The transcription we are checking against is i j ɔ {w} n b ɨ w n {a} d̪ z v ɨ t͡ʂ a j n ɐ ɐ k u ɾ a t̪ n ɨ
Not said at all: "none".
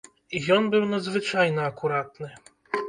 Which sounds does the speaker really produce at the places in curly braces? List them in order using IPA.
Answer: none, ɐ

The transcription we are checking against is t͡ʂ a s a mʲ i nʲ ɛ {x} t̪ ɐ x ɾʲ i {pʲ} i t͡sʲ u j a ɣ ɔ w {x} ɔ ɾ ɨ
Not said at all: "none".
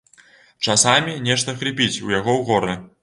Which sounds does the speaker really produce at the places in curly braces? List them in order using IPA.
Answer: ʂ, pʲ, ɣ

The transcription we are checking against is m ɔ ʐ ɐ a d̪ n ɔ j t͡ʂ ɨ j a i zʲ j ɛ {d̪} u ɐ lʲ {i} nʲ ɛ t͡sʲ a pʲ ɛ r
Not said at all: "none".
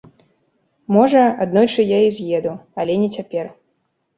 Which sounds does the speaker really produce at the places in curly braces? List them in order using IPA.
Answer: d̪, ɛ

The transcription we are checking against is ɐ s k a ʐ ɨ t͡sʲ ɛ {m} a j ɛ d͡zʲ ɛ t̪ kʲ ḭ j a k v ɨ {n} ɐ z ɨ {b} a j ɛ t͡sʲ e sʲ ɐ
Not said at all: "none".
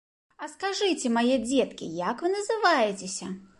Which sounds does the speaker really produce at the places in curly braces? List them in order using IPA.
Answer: m, n, v

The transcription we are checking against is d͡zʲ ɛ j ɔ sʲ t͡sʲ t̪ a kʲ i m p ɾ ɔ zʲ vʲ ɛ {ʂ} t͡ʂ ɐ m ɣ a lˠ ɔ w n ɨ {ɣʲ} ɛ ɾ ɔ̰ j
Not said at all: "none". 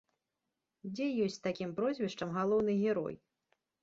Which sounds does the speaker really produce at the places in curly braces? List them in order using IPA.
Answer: ʂ, ɣʲ

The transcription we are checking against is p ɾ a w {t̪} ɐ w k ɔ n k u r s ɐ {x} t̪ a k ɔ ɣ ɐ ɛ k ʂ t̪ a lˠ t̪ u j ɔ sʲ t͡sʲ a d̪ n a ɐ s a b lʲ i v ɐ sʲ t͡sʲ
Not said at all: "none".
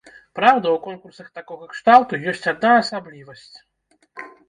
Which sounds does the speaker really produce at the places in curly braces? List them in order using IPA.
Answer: d̪, x

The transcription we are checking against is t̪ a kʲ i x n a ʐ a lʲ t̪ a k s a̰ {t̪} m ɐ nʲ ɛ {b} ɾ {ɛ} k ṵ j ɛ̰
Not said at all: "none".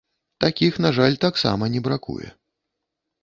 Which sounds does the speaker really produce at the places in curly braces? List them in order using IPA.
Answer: none, b, a

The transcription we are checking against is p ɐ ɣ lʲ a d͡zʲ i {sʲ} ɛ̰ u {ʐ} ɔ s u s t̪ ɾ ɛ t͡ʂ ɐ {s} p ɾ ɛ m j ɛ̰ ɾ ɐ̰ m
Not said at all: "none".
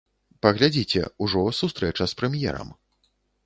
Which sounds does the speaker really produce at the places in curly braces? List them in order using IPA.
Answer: t͡sʲ, ʐ, s

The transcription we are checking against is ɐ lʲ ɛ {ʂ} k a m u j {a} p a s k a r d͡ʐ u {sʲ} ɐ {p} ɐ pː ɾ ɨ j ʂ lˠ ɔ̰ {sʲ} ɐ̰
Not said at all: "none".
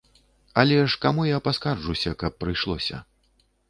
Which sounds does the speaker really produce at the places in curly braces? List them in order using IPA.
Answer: ʂ, a, sʲ, k, sʲ

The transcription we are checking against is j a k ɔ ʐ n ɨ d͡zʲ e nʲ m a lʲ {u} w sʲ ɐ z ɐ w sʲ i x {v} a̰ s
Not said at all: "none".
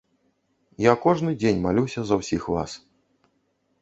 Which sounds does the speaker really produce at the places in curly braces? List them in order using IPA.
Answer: u, v

